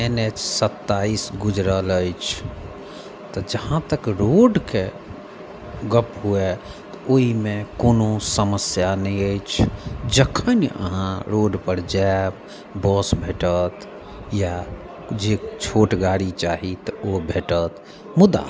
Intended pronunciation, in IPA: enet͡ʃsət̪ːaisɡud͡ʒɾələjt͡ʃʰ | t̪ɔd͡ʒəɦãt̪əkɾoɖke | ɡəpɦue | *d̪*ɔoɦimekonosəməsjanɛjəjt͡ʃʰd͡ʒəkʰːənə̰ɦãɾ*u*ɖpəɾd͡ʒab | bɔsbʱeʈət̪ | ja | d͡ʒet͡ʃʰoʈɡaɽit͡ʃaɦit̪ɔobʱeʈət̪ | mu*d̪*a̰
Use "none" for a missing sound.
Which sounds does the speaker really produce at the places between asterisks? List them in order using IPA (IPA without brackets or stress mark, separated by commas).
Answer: t̪, o, d̪